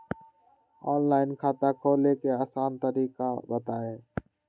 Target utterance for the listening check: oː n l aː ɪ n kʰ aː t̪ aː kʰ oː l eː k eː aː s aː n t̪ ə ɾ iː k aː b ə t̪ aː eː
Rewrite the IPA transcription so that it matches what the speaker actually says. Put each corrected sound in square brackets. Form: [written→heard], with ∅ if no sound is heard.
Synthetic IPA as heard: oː n l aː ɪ n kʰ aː t̪ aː kʰ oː l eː k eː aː s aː n t̪ ə ɾ iː k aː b ə t̪ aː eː